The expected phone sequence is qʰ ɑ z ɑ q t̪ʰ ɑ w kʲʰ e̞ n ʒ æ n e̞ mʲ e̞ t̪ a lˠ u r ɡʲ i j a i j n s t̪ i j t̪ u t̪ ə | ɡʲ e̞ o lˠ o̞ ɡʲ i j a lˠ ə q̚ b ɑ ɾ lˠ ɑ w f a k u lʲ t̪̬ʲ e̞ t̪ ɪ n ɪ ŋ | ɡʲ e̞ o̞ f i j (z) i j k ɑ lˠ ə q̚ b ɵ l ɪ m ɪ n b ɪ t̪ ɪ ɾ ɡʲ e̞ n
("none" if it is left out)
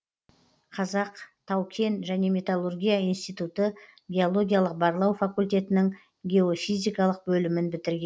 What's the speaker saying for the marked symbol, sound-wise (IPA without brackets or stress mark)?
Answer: z